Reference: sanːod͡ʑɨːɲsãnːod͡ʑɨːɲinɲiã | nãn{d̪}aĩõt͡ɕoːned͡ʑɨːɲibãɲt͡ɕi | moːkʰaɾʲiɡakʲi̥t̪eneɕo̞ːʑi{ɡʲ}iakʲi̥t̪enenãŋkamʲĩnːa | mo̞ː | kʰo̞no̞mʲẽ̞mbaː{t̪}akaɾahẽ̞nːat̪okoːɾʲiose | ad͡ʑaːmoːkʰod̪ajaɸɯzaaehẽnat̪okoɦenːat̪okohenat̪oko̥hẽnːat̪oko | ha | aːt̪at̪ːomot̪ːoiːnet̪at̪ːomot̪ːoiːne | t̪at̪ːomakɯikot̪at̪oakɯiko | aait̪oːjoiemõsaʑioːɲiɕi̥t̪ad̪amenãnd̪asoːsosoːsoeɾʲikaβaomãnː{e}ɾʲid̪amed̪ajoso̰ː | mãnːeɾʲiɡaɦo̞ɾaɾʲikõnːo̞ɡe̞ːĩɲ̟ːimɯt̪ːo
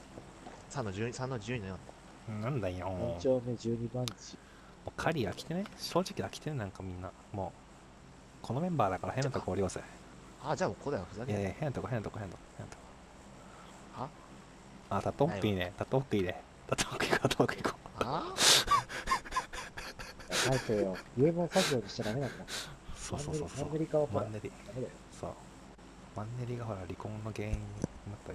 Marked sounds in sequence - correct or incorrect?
correct, incorrect: kʲ, incorrect: d̪, correct

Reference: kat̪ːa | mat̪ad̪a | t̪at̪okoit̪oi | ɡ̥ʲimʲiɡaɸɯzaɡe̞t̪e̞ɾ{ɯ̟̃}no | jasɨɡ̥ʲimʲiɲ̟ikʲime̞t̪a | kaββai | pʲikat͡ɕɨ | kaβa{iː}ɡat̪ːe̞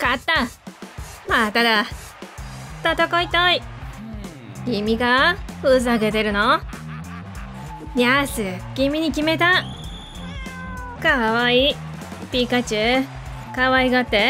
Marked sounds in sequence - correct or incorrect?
incorrect: ɯ̟, incorrect: i

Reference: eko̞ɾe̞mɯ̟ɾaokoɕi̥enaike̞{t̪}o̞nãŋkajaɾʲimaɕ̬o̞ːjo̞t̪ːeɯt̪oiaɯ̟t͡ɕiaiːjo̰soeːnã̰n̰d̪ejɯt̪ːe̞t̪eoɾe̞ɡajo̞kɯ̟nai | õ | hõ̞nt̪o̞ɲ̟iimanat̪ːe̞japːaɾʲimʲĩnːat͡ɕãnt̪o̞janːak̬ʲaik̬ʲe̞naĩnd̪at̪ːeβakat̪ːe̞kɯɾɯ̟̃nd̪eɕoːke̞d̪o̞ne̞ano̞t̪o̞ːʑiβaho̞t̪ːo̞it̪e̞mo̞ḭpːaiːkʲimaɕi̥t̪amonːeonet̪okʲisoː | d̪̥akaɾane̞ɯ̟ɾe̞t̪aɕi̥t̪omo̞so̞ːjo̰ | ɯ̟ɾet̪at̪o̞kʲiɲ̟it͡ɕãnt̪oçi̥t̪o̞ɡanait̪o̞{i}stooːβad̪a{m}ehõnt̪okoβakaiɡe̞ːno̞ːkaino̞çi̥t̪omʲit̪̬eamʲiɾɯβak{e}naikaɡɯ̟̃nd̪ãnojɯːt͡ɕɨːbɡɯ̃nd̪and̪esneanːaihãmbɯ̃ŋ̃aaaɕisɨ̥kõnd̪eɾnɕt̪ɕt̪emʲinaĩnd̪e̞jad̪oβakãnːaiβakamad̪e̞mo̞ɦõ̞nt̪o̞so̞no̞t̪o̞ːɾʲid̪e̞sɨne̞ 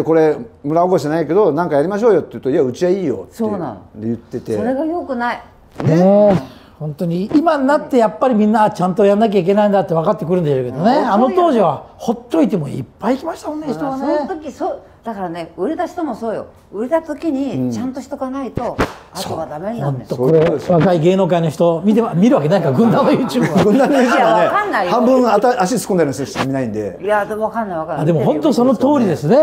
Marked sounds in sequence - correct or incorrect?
incorrect: d̪, incorrect: a, correct, correct

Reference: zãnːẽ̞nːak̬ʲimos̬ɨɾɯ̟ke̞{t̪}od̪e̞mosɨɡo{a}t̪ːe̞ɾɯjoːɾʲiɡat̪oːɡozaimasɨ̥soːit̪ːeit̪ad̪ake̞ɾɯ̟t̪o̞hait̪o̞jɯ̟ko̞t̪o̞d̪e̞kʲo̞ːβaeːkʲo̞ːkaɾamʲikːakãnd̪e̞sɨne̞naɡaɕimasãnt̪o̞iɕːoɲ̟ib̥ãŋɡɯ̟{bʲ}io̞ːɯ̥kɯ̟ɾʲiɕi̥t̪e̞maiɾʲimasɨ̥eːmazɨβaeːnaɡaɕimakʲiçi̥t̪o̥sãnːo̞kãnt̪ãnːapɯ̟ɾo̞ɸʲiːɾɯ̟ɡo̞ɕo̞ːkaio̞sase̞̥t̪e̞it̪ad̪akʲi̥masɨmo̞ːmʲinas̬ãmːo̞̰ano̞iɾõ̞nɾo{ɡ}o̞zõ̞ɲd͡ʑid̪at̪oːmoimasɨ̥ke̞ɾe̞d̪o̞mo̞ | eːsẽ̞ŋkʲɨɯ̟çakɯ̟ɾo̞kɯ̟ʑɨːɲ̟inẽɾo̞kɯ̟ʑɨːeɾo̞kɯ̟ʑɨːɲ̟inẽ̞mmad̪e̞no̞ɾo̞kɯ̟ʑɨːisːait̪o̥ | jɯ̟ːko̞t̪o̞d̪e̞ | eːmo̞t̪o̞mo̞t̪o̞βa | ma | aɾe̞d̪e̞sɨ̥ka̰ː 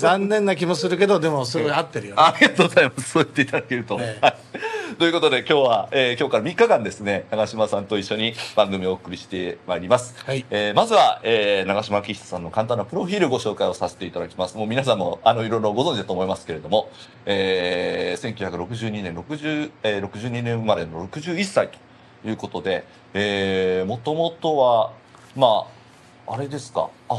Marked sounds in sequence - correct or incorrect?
incorrect: d̪, correct, incorrect: mʲ, correct

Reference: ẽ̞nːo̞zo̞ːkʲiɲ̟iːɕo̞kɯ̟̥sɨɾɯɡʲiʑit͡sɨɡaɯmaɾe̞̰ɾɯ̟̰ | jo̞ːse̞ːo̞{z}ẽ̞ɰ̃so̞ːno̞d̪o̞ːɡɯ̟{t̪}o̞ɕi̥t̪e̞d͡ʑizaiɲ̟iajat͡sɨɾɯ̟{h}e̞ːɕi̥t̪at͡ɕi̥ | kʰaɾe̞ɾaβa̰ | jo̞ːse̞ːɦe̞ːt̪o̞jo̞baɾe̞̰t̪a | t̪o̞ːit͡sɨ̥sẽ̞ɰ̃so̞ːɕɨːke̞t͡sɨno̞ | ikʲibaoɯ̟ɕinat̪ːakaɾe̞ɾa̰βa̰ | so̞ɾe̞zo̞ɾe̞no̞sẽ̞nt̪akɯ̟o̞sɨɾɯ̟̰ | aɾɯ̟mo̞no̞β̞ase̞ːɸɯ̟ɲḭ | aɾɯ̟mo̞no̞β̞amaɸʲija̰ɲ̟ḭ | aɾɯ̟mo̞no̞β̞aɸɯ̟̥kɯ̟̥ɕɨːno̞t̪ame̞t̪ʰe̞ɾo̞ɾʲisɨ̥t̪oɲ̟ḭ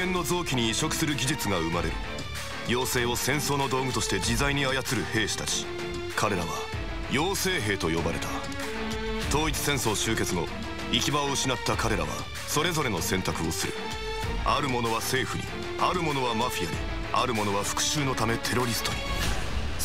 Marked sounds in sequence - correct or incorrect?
incorrect: s, correct, correct

